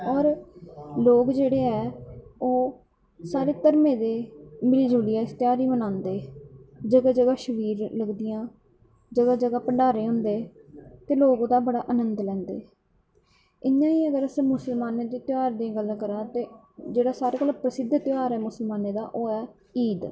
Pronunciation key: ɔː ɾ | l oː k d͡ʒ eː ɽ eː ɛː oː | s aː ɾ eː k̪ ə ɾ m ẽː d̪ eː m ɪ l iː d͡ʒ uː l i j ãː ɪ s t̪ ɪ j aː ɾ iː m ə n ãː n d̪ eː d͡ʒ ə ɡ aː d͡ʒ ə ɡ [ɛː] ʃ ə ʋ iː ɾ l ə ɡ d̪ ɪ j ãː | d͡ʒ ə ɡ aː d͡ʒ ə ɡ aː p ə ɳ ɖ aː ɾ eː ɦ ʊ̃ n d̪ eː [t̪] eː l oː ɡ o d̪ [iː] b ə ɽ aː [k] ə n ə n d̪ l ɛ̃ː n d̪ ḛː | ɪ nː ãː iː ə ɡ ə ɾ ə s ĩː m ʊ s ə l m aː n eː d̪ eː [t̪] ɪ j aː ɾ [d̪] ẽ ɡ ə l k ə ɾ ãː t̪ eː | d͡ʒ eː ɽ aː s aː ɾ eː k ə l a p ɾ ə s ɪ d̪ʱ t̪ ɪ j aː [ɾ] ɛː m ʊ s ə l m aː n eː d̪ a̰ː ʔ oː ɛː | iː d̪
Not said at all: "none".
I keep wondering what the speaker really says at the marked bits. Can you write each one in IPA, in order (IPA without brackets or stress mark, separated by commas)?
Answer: aː, t̪, aː, ʔ, t̪, d̪, ɾ